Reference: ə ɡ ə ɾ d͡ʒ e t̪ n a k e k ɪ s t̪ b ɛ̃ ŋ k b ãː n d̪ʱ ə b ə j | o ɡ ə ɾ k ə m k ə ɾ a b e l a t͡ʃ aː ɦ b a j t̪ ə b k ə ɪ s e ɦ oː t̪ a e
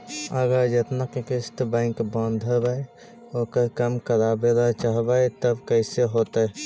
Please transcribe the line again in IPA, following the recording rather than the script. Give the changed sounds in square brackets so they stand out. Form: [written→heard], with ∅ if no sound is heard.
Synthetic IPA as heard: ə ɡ ə ɾ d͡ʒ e t̪ n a k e k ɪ s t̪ b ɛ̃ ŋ k b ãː n d̪ʱ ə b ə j | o [ɡ→k] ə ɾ k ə m k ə ɾ a b e l a t͡ʃ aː ɦ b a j t̪ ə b k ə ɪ s e ɦ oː t̪ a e